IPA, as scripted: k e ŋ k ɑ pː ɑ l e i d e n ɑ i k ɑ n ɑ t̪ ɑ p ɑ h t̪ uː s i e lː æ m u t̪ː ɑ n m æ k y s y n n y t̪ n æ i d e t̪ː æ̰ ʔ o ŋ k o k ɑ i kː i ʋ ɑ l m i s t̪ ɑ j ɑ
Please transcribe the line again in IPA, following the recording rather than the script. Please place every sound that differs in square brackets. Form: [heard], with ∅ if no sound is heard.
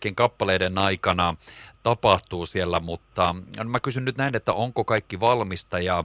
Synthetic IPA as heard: k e ŋ k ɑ pː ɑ l e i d e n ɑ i k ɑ n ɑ t̪ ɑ p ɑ h t̪ uː s i e lː æ m u t̪ː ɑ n m æ k y s y n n y t̪ n æ i [n] e t̪ː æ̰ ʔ o ŋ k o k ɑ i kː i ʋ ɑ l m i s t̪ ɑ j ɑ